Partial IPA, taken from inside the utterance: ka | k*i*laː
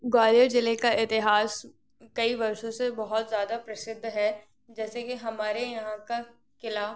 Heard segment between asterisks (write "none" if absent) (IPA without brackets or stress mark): ɪ